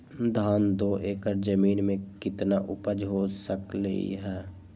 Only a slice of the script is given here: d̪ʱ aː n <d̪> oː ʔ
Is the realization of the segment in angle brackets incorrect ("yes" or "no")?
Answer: no